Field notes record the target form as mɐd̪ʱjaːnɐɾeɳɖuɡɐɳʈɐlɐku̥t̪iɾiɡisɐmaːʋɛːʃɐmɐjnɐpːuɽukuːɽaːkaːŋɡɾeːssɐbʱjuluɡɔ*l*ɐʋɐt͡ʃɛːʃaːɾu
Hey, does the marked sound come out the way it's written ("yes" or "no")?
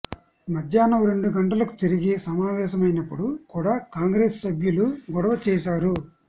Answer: no